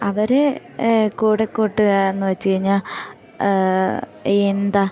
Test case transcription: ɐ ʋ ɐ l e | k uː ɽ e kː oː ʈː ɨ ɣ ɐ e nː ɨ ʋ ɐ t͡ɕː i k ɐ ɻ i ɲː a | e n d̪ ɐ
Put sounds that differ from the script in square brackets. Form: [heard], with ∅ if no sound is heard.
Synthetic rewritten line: ɐ ʋ ɐ [ɾ] e | k uː ɽ e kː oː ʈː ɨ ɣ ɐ e nː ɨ ʋ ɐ t͡ɕː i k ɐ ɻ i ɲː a | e n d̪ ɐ

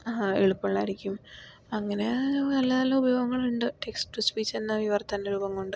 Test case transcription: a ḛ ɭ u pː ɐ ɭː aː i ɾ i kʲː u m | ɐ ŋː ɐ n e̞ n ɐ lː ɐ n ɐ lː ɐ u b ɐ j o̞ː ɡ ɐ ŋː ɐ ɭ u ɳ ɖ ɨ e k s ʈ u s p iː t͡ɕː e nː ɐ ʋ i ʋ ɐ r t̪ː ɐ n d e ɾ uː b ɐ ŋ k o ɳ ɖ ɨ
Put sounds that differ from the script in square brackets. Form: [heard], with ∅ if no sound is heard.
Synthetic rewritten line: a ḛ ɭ u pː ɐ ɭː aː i ɾ i kʲː u m | ɐ ŋː ɐ n e̞ n ɐ lː ɐ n ɐ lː ɐ u b ɐ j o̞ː ɡ ɐ ŋː ɐ ɭ u ɳ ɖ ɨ e k s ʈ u s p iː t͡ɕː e nː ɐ ʋ i ʋ ɐ r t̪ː ɐ n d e ɾ uː b ɐ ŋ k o ɳ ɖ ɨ

